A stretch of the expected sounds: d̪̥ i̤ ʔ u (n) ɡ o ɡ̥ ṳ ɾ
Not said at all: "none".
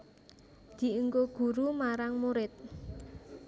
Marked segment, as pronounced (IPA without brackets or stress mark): ŋ